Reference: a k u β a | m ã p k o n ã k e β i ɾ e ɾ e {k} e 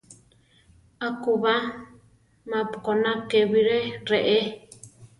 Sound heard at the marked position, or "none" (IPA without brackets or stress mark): ʔ